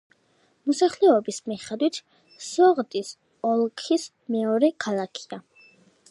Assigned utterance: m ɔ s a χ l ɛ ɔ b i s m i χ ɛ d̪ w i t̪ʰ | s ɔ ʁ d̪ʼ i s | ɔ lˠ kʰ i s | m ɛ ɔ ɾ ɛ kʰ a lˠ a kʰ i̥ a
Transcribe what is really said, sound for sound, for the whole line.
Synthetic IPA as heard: m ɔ s a χ l ɛ ɔ b i s m i χ ɛ d̪ w i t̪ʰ | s ɔ ʁ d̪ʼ i s | ɔ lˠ kʰ i s | m ɛ ɔ ɾ ɛ kʰ a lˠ a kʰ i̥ a